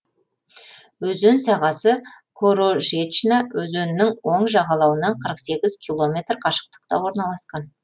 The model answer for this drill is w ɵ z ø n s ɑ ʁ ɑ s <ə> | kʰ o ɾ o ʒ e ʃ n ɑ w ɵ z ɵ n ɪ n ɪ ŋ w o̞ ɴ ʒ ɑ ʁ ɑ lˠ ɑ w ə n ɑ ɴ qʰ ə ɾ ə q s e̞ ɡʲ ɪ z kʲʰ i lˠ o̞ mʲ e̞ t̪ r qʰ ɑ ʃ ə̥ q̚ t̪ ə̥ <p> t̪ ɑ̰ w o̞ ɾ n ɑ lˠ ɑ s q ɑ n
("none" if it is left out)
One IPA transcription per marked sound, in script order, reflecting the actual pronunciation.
ə, q

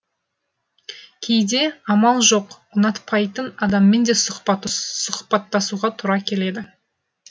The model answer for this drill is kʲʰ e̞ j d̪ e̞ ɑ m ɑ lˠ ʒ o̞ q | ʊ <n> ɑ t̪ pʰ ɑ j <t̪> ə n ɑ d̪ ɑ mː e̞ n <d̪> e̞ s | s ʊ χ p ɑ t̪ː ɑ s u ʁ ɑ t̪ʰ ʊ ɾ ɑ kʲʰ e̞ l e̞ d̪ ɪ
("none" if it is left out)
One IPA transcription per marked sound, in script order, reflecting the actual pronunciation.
n, t̪, d̪

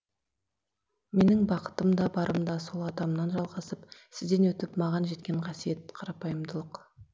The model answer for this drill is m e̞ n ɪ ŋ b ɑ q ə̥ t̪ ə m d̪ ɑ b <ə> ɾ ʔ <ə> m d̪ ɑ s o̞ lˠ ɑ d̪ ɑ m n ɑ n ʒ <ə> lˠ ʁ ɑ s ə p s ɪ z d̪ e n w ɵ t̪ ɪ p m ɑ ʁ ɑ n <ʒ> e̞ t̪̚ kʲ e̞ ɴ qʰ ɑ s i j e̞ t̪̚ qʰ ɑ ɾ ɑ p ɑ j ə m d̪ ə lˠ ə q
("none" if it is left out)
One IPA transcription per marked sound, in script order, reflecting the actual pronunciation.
ɑ, ə, ɑ, ʒ

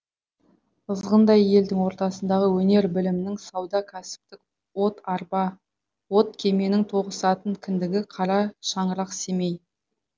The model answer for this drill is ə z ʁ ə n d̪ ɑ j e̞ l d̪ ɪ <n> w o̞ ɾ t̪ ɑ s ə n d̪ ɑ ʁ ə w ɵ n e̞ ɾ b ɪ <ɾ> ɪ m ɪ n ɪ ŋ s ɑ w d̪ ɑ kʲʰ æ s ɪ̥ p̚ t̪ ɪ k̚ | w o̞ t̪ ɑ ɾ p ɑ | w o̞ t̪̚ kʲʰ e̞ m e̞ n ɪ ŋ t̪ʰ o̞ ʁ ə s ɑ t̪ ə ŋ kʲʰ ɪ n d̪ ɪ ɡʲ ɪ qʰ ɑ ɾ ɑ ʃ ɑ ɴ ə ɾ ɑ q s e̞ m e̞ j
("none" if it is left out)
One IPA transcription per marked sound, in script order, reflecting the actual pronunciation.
ŋ, l

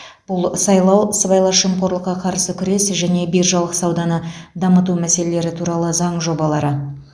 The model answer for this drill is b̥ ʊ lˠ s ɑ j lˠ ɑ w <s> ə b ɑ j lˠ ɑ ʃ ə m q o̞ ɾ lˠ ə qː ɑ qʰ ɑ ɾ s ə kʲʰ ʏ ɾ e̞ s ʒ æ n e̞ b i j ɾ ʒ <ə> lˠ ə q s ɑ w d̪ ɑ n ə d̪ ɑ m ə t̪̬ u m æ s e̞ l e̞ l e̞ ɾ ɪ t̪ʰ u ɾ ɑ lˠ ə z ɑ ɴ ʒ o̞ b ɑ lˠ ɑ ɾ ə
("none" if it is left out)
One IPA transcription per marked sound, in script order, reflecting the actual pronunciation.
s, ɑ

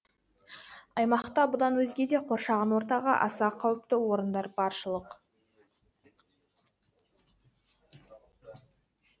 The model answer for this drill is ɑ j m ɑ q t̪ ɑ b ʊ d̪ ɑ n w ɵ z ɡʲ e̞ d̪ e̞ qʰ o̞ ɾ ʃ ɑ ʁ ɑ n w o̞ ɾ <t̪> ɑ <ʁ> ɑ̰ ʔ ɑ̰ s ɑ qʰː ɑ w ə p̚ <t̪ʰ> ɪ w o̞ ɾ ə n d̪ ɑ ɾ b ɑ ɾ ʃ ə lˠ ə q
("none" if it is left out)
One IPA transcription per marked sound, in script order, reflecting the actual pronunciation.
t̪, ʁ, t̪

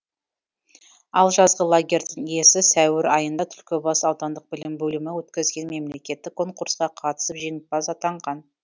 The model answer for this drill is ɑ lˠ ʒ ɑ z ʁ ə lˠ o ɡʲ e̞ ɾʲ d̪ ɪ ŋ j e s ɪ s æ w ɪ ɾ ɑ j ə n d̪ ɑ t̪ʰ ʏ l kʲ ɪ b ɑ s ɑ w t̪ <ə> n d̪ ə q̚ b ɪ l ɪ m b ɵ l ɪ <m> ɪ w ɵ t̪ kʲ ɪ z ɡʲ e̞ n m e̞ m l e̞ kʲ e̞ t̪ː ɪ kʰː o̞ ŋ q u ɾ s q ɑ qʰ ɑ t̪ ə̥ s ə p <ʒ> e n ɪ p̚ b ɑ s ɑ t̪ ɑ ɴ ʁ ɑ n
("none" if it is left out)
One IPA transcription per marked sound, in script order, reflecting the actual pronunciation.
ɑ, m, ʒ

